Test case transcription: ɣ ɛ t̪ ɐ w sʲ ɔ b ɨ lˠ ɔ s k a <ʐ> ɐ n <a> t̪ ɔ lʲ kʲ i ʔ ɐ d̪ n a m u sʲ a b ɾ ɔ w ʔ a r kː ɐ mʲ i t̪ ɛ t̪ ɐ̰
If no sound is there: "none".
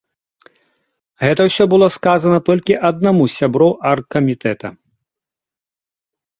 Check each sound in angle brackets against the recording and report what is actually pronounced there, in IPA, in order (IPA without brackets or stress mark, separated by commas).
z, ɐ